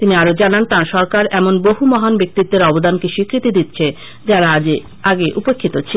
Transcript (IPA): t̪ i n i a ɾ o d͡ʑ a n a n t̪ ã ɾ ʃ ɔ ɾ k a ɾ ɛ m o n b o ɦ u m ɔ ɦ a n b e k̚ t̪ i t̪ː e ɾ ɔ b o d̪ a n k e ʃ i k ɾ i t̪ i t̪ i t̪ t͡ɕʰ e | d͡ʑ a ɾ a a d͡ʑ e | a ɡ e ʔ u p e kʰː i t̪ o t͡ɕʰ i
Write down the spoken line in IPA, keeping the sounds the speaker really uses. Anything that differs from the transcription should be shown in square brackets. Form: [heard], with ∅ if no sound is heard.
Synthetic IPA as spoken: t̪ i n i a ɾ o d͡ʑ a n a n t̪ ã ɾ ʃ ɔ ɾ k a ɾ ɛ m o n b o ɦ u m ɔ ɦ a n b e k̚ t̪ i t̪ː e ɾ ɔ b o d̪ a n k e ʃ i k ɾ i t̪ i [d̪] i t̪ t͡ɕʰ e | d͡ʑ a ɾ a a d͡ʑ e | a ɡ e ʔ u p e kʰː i t̪ o t͡ɕʰ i